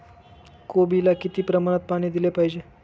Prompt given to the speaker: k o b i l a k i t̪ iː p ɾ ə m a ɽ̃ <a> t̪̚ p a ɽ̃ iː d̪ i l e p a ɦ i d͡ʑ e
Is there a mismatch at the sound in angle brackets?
yes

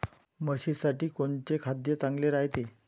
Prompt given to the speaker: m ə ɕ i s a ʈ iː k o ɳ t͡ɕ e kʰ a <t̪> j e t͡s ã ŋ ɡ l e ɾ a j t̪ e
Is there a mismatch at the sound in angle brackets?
yes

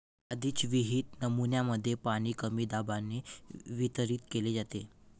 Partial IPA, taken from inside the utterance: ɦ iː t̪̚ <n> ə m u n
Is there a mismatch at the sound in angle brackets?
no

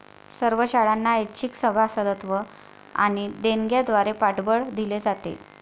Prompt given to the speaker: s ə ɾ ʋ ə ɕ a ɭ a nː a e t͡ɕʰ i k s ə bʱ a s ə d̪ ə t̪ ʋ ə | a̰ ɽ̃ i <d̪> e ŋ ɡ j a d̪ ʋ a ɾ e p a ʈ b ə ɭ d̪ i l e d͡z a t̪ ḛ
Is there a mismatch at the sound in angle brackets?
no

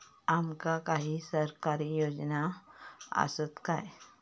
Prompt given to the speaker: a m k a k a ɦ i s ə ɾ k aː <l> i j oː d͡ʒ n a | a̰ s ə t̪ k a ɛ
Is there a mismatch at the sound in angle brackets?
yes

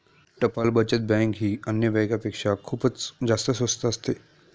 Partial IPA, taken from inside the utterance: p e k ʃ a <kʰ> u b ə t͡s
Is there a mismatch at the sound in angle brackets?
no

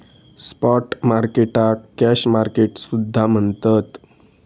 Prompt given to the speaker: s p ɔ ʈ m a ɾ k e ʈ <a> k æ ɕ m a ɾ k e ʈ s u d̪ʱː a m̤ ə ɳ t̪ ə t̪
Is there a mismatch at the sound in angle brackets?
no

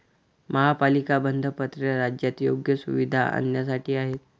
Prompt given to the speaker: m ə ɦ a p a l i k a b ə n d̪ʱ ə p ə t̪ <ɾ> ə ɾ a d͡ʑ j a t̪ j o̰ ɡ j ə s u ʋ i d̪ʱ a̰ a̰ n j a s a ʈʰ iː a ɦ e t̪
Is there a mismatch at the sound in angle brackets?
no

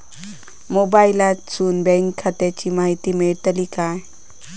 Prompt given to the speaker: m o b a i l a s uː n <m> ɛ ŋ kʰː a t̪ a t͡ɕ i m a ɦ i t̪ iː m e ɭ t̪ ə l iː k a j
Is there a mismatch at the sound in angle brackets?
yes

